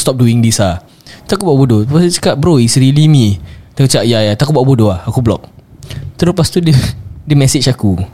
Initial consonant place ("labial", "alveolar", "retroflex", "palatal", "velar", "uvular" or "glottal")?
alveolar